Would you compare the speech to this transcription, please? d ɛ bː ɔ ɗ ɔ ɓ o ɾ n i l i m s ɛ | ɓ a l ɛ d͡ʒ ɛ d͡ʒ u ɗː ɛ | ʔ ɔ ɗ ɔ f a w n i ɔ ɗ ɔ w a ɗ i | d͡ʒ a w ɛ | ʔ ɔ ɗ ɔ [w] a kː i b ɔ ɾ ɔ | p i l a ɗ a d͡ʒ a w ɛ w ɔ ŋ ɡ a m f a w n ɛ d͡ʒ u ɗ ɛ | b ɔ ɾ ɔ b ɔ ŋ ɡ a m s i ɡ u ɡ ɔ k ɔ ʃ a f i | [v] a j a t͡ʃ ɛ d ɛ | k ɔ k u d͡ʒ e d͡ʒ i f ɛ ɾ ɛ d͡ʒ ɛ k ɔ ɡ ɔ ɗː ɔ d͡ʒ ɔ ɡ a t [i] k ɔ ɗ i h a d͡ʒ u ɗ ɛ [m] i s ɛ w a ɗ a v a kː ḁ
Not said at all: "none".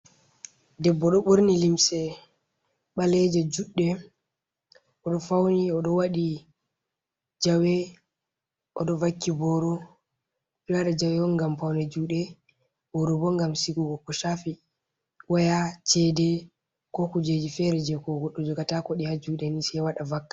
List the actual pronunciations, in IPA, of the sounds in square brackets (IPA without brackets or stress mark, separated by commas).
v, w, a, n